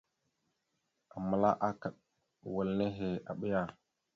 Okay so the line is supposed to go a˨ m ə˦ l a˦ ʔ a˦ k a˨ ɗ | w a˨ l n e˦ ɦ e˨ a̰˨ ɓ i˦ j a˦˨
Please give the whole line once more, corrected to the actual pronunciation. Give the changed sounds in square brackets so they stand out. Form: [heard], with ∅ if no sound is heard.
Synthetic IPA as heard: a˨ m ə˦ l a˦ ʔ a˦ k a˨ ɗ | w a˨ l n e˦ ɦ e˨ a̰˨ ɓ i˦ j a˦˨